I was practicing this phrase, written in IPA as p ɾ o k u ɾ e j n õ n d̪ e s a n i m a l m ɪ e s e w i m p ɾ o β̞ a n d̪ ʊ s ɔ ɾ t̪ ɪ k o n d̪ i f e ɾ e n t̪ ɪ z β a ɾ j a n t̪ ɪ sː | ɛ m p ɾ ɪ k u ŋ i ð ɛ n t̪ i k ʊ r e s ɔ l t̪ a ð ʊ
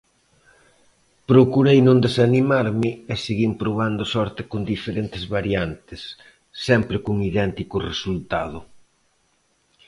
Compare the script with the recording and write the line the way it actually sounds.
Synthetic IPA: p ɾ o k u ɾ e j n õ n d̪ e s a n i m a ɾ m ɪ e s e ɣ i m p ɾ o β̞ a n d̪ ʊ s ɔ ɾ t̪ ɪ k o n d̪ i f e ɾ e n t̪ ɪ z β a ɾ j a n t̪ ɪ sː | ɛ m p ɾ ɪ k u ŋ i ð ɛ n t̪ i k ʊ r e s u l t̪ a ð ʊ